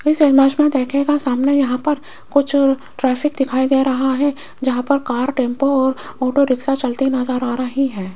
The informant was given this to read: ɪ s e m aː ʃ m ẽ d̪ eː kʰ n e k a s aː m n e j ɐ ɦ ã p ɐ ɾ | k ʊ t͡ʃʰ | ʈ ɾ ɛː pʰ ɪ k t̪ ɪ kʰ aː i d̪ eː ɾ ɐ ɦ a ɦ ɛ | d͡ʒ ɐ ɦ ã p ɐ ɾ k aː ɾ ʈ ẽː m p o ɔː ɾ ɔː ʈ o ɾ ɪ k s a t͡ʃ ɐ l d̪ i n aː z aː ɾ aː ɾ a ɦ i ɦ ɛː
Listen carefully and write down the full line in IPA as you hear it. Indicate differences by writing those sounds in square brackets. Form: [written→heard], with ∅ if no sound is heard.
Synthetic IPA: ɪ s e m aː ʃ m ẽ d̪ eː kʰ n e k a s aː m n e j ɐ ɦ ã p ɐ ɾ | k ʊ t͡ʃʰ | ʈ ɾ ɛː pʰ ɪ k [t̪→d̪] ɪ kʰ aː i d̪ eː ɾ ɐ ɦ a ɦ ɛ | d͡ʒ ɐ ɦ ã p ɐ ɾ k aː ɾ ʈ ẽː m p o ɔː ɾ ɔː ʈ o ɾ ɪ k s a t͡ʃ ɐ l [d̪→t̪] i n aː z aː ɾ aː ɾ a ɦ i ɦ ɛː